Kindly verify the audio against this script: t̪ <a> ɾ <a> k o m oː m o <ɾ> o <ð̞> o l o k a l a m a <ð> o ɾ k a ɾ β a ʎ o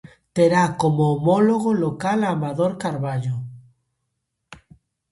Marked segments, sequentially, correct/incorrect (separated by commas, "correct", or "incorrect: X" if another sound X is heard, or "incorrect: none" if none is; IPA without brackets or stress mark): incorrect: e, correct, incorrect: l, incorrect: ɣ̞, correct